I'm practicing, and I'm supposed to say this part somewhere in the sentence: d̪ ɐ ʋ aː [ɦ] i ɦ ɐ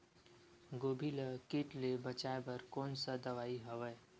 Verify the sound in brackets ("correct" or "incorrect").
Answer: incorrect